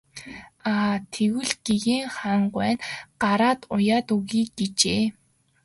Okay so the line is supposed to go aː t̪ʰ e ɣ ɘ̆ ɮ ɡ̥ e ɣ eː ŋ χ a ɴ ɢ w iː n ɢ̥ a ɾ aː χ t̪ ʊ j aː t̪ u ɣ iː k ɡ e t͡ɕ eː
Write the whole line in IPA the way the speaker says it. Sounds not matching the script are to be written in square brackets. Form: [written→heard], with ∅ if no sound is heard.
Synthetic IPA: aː t̪ʰ e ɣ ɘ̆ ɮ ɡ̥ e ɣ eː ŋ χ a ɴ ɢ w [iː→æː] n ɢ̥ a ɾ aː [χ→∅] t̪ ʊ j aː t̪ u ɣ iː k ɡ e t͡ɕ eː